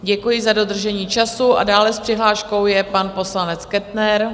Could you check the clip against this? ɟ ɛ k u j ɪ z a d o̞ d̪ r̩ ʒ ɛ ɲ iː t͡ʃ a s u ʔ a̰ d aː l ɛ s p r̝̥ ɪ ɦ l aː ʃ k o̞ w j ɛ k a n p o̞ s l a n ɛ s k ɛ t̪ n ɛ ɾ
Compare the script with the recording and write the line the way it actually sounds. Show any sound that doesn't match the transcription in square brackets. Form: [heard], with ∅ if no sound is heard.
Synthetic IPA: ɟ ɛ k u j ɪ z a d o̞ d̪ r̩ ʒ ɛ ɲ iː t͡ʃ a s u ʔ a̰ d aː l ɛ s p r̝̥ ɪ ɦ l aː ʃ k o̞ w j ɛ [p] a n p o̞ s l a n ɛ [t͡s] k ɛ t̪ n ɛ ɾ